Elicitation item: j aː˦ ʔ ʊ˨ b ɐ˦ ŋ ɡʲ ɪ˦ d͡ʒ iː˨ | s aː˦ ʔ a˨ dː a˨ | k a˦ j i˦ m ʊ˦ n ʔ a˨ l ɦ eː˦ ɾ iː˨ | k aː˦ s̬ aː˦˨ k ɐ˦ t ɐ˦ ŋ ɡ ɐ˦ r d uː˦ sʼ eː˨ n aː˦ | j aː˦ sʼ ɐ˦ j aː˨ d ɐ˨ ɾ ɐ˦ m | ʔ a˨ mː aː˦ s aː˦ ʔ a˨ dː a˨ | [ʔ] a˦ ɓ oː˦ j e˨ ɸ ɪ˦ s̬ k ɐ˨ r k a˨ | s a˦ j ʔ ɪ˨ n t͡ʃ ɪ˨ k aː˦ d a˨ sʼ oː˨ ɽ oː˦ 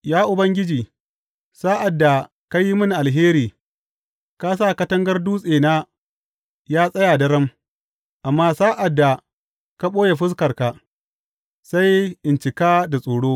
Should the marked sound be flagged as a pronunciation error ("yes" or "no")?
yes